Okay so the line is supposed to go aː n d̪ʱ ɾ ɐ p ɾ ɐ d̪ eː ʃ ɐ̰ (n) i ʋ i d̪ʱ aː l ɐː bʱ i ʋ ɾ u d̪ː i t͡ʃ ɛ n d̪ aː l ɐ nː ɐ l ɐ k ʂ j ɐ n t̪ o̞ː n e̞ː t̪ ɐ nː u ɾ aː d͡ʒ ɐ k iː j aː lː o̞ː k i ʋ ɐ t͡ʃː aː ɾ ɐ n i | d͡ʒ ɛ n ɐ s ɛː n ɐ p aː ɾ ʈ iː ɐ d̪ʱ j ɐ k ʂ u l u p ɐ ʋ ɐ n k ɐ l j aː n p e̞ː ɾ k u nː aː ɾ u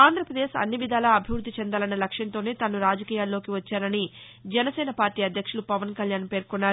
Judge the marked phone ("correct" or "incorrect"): incorrect